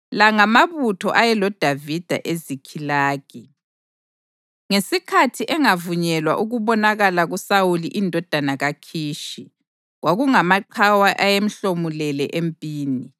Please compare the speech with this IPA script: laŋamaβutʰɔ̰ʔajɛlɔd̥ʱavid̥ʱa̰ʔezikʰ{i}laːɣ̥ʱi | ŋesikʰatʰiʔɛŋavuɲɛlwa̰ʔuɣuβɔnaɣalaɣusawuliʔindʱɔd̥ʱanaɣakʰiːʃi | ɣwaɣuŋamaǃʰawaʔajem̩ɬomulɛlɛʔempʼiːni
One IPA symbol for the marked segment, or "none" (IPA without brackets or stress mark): i